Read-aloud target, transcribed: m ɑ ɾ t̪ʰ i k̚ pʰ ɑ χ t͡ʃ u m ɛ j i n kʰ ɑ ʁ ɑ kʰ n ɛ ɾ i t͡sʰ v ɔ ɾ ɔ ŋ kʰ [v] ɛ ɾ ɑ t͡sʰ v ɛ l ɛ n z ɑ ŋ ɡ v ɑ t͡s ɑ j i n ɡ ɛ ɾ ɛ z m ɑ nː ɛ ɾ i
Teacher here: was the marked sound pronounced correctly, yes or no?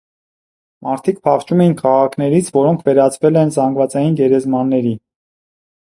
yes